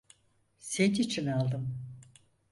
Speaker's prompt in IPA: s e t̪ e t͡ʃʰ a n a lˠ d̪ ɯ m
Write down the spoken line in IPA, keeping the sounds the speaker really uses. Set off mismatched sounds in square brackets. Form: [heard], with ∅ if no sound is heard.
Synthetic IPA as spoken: s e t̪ [i] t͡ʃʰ [i] n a lˠ d̪ ɯ m